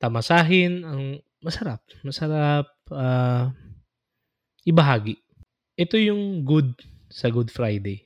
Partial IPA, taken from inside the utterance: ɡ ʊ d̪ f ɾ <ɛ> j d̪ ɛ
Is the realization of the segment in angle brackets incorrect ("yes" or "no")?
yes